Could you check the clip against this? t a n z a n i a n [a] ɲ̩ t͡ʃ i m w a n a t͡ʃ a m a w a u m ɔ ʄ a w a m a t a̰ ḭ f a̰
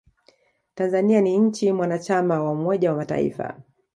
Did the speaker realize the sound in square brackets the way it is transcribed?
no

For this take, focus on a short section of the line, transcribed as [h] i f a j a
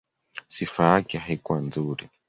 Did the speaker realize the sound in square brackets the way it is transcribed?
no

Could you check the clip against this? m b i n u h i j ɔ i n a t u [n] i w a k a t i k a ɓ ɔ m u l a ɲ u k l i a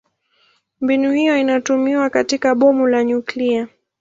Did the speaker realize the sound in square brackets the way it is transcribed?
no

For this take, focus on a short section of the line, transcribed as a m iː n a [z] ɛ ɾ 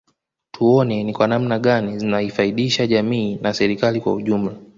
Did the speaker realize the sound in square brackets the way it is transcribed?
no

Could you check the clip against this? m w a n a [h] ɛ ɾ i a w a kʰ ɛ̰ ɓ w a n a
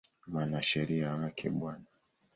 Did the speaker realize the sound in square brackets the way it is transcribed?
no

